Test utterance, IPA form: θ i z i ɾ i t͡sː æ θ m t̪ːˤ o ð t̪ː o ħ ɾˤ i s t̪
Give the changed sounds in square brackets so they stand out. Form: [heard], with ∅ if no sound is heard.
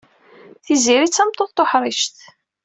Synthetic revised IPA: θ i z i ɾ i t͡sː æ [∅] m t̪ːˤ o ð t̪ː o ħ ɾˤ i [ʃ] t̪